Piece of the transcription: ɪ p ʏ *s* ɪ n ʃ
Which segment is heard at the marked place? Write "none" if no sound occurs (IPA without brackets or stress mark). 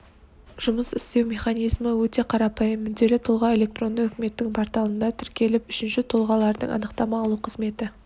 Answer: ʃ